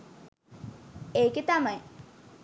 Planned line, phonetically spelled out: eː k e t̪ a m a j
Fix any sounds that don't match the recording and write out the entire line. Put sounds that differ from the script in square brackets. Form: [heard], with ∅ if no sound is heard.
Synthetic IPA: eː k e t̪ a m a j